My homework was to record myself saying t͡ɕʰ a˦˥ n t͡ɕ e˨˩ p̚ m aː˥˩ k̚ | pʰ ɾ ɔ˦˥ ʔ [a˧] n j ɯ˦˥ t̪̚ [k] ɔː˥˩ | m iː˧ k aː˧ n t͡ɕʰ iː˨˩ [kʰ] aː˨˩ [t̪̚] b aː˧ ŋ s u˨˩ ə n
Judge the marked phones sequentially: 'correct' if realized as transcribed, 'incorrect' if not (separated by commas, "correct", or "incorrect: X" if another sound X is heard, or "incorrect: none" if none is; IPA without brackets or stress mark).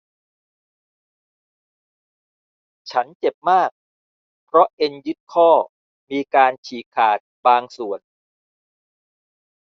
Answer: incorrect: e˧, incorrect: kʰ, correct, correct